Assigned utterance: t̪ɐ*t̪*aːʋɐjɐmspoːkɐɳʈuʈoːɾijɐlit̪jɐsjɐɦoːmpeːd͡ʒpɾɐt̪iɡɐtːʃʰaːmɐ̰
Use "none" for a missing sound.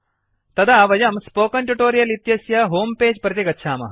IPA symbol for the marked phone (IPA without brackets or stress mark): d̪